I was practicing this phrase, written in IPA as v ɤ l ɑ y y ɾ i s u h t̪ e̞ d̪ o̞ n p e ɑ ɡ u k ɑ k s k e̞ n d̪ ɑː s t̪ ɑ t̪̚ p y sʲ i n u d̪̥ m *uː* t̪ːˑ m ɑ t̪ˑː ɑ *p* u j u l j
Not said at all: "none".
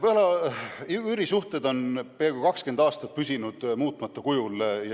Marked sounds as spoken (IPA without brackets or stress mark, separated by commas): uː, k